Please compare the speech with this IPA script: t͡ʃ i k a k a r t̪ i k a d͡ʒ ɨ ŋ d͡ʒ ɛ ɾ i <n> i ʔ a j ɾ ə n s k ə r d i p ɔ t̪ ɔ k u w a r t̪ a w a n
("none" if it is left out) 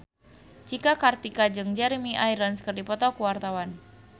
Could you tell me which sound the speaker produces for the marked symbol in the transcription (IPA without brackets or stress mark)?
m